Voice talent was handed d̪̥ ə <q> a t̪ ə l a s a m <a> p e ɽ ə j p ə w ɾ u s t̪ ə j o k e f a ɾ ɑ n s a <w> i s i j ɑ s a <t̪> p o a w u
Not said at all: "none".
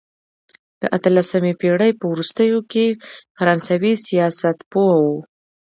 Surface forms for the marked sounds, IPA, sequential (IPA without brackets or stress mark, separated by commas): ʔ, e, w, t̪